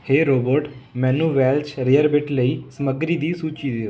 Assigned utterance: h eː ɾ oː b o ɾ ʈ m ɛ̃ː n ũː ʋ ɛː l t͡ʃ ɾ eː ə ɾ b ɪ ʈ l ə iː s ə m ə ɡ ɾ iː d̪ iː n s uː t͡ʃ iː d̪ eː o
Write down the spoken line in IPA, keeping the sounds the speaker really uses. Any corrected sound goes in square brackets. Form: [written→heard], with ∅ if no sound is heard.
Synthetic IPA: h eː ɾ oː b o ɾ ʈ m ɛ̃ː n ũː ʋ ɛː l t͡ʃ ɾ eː ə ɾ b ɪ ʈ l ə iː s ə m ə ɡ ɾ iː d̪ iː [n→∅] s uː t͡ʃ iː d̪ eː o